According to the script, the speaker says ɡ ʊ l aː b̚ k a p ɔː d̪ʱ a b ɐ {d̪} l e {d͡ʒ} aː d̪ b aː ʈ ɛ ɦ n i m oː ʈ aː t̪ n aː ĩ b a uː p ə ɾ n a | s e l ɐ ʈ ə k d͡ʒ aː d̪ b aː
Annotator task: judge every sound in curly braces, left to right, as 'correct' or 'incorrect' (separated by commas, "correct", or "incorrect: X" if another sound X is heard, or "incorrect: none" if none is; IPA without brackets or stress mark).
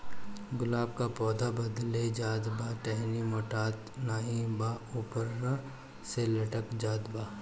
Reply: correct, correct